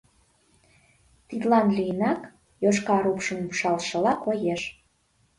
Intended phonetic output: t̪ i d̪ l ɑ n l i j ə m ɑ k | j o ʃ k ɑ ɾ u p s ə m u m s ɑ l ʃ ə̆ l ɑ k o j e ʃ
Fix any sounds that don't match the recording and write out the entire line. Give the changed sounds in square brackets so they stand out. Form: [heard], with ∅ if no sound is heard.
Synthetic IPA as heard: t̪ i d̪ l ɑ n l i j ə [n] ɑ k | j o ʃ k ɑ ɾ u p [ʃ] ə m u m [ʃ] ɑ l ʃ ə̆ l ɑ k o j e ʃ